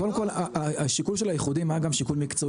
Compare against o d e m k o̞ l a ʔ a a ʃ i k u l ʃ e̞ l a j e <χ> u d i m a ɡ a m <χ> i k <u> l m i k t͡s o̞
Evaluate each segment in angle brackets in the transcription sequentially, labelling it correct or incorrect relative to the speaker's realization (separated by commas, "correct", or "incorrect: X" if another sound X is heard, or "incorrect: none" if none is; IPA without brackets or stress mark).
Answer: correct, incorrect: ʃ, correct